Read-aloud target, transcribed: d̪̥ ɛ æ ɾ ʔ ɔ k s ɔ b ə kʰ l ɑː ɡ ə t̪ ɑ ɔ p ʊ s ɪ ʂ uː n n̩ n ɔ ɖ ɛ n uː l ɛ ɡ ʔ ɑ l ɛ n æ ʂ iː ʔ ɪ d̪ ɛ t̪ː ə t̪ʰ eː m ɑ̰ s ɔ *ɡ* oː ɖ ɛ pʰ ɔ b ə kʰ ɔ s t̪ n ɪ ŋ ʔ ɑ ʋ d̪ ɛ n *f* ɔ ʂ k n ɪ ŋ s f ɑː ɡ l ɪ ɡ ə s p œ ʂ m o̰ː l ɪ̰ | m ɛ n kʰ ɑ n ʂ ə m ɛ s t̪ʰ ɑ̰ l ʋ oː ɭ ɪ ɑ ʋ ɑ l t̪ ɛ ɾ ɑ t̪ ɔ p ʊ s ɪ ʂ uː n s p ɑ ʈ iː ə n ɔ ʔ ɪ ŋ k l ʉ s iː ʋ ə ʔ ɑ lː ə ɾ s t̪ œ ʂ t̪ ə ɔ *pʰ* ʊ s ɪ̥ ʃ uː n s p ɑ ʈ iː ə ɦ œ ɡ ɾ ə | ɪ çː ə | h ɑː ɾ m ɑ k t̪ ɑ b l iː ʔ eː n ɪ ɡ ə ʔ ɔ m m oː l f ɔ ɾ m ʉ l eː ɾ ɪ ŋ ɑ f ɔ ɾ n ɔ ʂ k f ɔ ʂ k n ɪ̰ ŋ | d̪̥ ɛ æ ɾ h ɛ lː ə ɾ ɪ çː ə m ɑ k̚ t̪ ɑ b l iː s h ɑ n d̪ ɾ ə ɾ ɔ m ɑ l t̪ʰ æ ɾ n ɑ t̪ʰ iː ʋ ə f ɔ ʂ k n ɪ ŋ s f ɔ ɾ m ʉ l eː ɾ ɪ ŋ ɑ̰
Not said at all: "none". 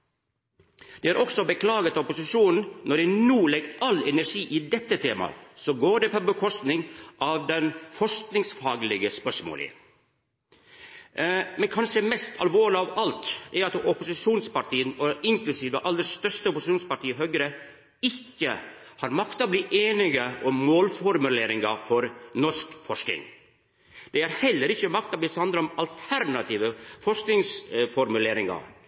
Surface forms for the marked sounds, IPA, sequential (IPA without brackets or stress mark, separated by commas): ɡ, f, p